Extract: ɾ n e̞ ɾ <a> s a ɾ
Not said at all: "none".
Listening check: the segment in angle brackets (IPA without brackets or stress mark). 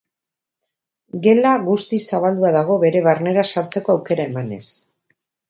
a